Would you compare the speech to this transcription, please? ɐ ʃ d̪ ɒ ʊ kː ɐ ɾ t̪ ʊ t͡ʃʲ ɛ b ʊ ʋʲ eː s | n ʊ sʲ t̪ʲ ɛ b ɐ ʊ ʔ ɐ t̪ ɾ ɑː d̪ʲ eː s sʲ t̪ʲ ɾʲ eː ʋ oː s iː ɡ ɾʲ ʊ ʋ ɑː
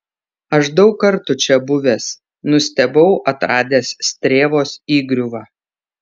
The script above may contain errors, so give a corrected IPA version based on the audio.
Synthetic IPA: ɐ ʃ d̪ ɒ ʊ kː ɐ ɾ t̪ ʊ t͡ʃʲ ɛ b ʊ ʋʲ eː s | n ʊ sʲ t̪ʲ ɛ b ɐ ʊ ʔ ɐ t̪ ɾ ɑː d̪ʲ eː s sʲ t̪ʲ ɾʲ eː ʋ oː s iː ɡ ɾʲ ʊ ʋ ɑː